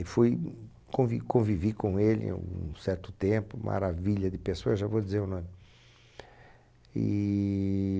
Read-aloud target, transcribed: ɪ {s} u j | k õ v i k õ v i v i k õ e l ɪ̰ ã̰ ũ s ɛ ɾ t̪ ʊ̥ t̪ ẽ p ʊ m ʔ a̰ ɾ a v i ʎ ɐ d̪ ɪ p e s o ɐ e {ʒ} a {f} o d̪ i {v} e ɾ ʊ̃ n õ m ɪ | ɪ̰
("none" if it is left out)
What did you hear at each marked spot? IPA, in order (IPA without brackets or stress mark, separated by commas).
f, ʒ, v, z